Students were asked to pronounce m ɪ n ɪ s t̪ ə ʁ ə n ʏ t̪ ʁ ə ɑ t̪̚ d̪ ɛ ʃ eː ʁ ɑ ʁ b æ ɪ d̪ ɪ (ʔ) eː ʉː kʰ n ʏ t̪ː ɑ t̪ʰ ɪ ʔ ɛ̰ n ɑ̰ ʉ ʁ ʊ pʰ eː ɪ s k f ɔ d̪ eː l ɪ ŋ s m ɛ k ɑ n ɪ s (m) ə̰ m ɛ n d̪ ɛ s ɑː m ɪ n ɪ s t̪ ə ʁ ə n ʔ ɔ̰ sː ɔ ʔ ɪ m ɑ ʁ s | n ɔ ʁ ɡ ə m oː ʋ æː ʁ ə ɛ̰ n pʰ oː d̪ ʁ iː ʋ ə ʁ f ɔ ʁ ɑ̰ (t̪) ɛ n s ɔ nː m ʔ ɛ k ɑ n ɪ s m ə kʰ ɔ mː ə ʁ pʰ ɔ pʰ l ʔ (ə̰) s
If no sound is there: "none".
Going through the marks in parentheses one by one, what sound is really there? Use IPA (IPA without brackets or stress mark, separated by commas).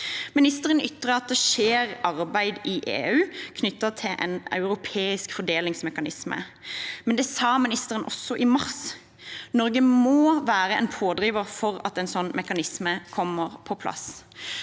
ʔ, m, t̪, ɑ̰